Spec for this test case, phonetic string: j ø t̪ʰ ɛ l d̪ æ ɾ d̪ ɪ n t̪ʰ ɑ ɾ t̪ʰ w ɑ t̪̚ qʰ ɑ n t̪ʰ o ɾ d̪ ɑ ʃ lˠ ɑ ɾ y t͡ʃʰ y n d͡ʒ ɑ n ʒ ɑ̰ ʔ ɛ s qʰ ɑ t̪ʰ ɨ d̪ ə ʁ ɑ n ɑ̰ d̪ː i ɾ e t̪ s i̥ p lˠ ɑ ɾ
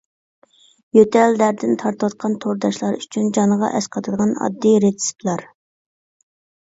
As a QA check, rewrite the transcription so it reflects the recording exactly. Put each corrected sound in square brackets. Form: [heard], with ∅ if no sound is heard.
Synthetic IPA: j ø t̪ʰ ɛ l d̪ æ ɾ d̪ ɪ n t̪ʰ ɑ ɾ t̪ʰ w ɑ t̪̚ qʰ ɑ n t̪ʰ o ɾ d̪ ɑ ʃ lˠ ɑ ɾ y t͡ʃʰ y n d͡ʒ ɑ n [ʁ] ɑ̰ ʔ ɛ s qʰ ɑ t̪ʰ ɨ d̪ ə ʁ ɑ n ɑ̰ d̪ː i ɾ e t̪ s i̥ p lˠ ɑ ɾ